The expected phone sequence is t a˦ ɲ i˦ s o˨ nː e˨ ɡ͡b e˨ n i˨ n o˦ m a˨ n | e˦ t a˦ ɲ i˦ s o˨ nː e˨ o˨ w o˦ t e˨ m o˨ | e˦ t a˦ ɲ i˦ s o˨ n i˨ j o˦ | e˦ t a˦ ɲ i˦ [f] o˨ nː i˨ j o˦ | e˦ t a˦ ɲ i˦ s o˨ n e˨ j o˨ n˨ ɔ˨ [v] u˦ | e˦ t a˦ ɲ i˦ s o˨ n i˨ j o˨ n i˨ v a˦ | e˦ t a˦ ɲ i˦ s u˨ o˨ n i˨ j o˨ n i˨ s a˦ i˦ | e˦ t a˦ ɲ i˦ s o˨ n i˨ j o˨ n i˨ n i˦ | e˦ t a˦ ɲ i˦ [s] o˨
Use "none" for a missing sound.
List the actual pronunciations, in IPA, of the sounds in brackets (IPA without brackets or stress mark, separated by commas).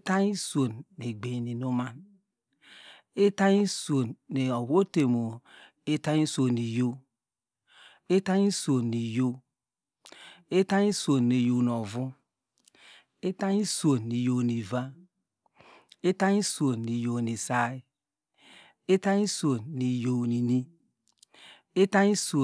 s, v, s